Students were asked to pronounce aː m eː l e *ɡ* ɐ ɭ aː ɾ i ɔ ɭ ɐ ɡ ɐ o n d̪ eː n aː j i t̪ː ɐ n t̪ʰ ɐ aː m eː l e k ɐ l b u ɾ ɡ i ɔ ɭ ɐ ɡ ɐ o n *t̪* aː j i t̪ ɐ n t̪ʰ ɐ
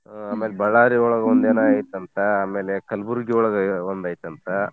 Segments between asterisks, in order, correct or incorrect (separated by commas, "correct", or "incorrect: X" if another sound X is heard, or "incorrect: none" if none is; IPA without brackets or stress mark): incorrect: b, incorrect: d̪